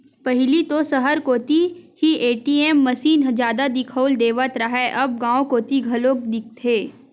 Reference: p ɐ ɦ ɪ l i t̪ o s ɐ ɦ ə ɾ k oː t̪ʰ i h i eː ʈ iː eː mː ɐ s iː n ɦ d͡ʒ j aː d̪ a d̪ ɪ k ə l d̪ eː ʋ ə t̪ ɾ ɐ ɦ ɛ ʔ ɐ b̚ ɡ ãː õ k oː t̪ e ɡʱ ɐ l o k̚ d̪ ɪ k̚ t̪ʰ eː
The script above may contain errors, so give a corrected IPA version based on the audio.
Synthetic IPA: p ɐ ɦ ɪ l i t̪ o s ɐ ɦ ə ɾ k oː t̪ i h i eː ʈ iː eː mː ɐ s iː n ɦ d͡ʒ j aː d̪ a d̪ ɪ kʰ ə l d̪ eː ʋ ə t̪ ɾ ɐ ɦ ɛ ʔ ɐ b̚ ɡ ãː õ k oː t̪ i ɡʱ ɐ l o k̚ d̪ ɪ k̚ t̪ʰ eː